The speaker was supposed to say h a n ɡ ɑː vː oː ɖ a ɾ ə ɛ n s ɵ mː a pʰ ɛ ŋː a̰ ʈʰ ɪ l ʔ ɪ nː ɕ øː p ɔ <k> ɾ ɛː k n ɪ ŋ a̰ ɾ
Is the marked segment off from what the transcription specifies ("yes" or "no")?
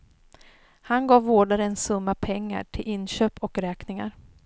no